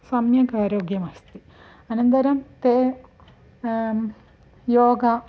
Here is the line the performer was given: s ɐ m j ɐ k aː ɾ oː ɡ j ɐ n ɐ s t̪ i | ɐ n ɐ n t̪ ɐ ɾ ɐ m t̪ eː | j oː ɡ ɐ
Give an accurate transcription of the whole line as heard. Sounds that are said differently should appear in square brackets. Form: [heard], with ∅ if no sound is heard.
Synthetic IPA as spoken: s ɐ m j ɐ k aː ɾ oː ɡ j ɐ [m] ɐ s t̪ i | ɐ n ɐ n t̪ ɐ ɾ ɐ m t̪ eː | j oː ɡ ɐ